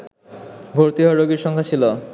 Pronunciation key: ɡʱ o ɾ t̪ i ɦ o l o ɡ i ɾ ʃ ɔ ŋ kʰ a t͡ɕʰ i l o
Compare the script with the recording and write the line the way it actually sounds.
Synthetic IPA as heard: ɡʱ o ɾ t̪ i ɦ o ɾ o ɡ i ɾ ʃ ɔ ŋ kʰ a t͡ɕʰ i l o